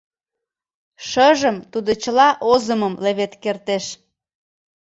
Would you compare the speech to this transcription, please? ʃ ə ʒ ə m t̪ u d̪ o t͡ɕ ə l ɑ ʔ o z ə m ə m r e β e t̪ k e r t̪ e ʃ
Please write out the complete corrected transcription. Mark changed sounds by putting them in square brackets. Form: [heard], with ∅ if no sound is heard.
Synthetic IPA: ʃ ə ʒ ə m t̪ u d̪ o t͡ɕ ə l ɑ ʔ o z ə m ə m [l] e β e t̪ k e r t̪ e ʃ